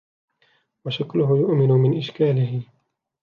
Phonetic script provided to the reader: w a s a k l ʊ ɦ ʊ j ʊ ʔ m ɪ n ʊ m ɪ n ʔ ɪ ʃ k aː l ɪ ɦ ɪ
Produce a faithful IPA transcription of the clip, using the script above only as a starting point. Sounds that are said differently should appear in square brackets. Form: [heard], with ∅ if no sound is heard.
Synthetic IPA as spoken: w a [ʃ] a k l ʊ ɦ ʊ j ʊ ʔ m ɪ n ʊ m ɪ n ʔ ɪ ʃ k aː l ɪ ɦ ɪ